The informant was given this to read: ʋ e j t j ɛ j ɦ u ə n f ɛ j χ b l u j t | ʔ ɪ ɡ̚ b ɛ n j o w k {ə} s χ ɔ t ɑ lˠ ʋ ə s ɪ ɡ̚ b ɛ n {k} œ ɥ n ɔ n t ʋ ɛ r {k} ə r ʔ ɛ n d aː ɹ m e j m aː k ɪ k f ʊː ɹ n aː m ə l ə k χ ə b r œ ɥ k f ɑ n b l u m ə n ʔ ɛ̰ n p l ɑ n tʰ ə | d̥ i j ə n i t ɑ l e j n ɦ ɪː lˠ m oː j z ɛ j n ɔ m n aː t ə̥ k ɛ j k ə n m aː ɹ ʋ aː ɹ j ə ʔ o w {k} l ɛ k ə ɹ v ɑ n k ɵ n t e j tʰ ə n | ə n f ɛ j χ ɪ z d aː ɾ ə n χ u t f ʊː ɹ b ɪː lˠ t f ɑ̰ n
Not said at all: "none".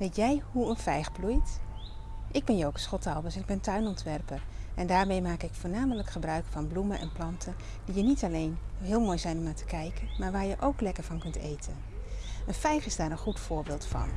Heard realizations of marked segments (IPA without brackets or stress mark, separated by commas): ə, t, p, k